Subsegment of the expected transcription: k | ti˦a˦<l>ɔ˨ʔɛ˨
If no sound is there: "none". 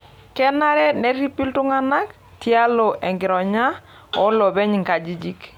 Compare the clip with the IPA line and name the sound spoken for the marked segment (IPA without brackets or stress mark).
l